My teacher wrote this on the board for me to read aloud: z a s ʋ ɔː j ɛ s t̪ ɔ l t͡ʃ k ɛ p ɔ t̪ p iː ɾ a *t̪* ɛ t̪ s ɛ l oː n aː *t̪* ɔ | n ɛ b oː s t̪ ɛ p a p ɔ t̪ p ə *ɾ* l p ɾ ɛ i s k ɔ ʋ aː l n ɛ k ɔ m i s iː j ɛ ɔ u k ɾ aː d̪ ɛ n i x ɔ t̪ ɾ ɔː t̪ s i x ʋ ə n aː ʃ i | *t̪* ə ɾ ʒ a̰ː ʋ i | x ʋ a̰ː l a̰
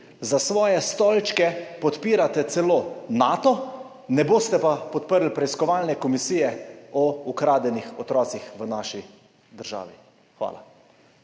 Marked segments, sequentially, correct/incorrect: correct, correct, correct, incorrect

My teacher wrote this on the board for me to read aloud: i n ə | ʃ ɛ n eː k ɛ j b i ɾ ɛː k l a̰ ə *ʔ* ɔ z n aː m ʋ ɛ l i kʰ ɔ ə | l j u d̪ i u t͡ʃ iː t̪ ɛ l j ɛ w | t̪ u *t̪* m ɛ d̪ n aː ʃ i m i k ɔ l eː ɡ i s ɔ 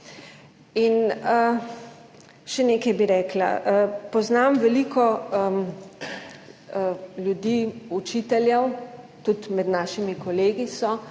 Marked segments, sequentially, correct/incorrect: incorrect, correct

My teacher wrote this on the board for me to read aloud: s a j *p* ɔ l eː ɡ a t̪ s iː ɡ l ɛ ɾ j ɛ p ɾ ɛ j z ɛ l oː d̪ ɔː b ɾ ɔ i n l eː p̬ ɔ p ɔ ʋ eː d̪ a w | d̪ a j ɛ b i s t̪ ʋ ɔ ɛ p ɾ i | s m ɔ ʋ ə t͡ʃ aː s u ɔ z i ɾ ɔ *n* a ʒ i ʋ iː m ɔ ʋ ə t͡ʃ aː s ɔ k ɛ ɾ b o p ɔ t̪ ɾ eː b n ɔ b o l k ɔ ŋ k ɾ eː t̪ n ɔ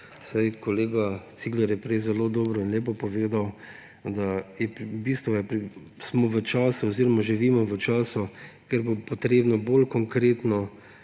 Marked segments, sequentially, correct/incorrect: incorrect, incorrect

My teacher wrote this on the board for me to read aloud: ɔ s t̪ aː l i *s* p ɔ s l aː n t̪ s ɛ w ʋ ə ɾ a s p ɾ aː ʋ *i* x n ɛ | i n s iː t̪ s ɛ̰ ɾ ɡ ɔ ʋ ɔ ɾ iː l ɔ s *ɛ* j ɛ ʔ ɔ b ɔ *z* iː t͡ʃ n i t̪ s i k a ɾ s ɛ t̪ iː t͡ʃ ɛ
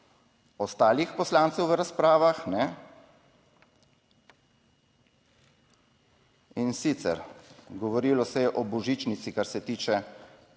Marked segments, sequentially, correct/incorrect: incorrect, incorrect, correct, incorrect

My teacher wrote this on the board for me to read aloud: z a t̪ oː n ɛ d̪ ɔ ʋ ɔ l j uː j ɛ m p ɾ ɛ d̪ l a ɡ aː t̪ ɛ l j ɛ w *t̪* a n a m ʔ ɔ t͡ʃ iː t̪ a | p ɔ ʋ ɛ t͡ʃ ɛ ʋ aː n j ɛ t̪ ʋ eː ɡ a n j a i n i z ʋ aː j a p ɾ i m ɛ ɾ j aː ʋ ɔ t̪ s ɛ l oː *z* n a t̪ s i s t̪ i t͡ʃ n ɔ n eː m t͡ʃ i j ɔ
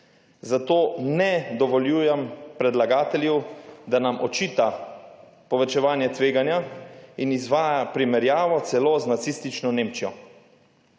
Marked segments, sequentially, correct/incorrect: incorrect, correct

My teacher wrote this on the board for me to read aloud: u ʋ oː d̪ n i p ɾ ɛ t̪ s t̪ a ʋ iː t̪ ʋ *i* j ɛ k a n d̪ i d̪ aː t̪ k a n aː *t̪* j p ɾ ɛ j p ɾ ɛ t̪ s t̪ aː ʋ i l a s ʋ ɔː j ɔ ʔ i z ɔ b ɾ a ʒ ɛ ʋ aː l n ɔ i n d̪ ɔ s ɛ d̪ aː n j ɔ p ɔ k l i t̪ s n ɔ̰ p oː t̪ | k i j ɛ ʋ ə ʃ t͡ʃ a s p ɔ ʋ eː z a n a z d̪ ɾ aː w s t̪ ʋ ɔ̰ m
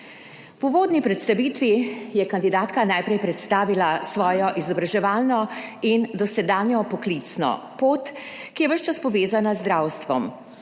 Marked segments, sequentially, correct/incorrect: correct, incorrect

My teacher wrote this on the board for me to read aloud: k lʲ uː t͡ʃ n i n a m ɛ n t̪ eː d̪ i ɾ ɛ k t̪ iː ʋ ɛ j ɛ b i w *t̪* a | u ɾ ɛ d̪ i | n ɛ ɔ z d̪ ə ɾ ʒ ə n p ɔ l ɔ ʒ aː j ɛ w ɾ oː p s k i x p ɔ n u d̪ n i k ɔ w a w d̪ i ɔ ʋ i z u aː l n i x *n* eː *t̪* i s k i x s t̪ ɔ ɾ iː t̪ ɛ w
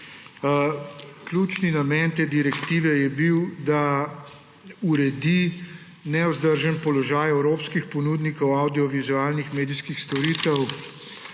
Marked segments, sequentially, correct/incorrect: incorrect, incorrect, incorrect

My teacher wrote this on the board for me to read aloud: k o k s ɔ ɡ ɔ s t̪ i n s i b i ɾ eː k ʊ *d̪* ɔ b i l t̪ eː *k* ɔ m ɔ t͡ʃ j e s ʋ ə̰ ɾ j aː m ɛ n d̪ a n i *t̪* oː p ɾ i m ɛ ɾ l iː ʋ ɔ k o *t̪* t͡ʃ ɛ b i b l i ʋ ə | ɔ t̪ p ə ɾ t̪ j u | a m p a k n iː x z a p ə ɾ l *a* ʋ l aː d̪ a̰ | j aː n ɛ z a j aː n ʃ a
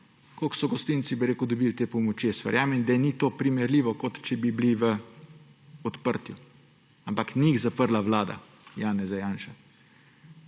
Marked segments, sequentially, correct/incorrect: correct, incorrect, correct, correct, correct

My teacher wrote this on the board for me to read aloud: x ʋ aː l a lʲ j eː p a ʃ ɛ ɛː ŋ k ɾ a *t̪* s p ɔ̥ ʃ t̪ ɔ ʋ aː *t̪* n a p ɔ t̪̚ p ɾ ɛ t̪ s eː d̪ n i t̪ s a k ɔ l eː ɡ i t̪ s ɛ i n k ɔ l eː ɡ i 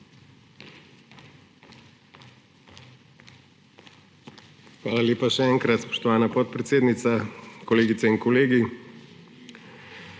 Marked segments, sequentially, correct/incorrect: correct, incorrect

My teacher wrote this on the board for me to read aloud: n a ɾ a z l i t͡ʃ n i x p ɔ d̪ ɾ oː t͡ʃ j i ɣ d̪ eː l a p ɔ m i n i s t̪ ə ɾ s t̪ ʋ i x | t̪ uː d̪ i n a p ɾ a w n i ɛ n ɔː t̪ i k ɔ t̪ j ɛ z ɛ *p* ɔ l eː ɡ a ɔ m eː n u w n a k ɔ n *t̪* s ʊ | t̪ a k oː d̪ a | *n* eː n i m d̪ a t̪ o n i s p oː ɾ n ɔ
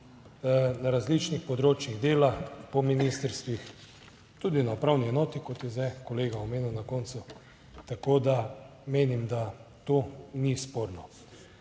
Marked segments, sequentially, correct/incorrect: incorrect, correct, incorrect

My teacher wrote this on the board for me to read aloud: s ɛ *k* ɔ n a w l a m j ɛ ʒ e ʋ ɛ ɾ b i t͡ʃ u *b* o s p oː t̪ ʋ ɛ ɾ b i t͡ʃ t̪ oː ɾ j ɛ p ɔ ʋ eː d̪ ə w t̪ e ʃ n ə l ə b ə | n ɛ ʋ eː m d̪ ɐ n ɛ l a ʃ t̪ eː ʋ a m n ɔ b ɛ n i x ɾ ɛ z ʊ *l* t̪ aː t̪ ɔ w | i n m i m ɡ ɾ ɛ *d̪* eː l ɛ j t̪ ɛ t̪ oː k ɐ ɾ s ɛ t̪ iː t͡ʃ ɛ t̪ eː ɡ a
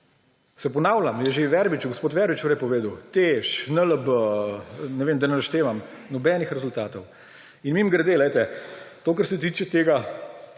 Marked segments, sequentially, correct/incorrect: incorrect, incorrect, correct, correct

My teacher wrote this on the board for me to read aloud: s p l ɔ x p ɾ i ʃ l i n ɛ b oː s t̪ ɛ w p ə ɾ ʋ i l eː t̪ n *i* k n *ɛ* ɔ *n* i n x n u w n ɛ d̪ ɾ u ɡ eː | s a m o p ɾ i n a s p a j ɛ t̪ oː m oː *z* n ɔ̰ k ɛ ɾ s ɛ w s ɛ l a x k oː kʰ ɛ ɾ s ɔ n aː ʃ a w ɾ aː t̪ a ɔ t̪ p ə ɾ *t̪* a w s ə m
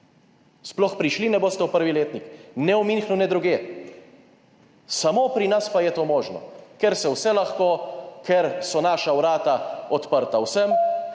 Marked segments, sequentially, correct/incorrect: correct, correct, incorrect, incorrect, correct

